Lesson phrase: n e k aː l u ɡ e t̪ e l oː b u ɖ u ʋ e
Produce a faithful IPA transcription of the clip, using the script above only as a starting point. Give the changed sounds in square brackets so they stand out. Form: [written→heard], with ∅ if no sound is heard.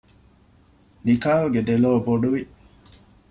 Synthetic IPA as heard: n [e→i] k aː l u ɡ e [t̪→d̪] e l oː b [u→o] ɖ u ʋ [e→i]